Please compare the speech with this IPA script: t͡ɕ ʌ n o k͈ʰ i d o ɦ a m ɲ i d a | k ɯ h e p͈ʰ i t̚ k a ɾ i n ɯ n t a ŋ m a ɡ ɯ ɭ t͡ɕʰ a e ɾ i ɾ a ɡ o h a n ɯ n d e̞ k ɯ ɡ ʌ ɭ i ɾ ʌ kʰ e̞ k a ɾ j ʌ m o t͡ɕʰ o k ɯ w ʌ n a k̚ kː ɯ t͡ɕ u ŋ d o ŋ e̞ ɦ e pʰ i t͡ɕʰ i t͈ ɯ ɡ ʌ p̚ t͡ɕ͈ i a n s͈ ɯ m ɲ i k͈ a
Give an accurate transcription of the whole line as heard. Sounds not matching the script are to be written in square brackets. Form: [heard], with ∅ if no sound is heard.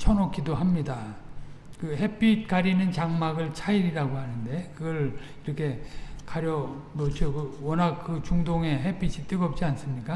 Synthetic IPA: [t͡ɕʰ] ʌ n o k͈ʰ i d o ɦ a m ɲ i d a | k ɯ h e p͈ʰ i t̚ k a ɾ i n ɯ n [t͡ɕ] a ŋ m a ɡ ɯ ɭ t͡ɕʰ a [i] ɾ i ɾ a ɡ o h a n ɯ n d e̞ k ɯ ɡ ʌ ɭ i ɾ ʌ kʰ e̞ k a ɾ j ʌ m o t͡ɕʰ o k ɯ w ʌ n a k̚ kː ɯ t͡ɕ u ŋ d o ŋ e̞ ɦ e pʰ i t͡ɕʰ i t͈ ɯ ɡ ʌ p̚ t͡ɕ͈ i a n s͈ ɯ m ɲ i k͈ a